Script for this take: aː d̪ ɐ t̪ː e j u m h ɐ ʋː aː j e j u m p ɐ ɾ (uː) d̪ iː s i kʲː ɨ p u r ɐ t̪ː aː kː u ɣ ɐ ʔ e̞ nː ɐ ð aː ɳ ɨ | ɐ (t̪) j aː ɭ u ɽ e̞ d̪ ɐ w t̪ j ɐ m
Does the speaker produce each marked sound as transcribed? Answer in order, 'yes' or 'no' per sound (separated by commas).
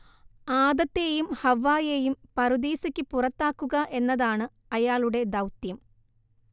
no, no